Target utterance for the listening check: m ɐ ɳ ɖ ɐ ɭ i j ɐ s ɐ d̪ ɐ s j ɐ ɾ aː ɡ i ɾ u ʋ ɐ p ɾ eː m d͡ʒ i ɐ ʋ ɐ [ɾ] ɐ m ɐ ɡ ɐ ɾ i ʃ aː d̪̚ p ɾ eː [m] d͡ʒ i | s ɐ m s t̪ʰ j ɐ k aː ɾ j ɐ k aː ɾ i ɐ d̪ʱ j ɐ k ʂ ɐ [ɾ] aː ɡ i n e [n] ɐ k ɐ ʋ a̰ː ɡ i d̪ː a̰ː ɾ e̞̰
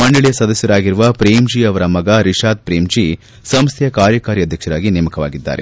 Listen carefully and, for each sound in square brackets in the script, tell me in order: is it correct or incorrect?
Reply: correct, correct, correct, incorrect

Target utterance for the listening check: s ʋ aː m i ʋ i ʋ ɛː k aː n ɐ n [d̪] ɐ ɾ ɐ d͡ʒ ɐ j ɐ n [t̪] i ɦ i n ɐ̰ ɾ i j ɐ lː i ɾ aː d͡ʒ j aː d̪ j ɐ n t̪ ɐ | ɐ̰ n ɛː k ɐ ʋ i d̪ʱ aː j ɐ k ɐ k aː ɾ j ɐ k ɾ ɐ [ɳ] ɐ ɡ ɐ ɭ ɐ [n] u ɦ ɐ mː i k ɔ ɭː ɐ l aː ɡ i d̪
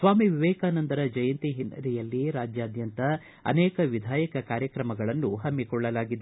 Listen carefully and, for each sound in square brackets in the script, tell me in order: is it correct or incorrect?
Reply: correct, correct, incorrect, incorrect

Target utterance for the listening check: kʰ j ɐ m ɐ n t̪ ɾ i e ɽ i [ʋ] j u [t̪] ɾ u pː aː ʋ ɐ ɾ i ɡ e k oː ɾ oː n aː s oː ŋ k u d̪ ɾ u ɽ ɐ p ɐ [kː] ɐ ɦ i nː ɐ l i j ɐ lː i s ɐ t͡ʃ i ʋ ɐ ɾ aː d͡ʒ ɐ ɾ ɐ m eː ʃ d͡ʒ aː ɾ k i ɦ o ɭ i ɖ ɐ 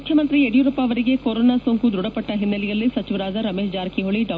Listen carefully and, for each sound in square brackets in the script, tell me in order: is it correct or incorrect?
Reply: incorrect, incorrect, incorrect

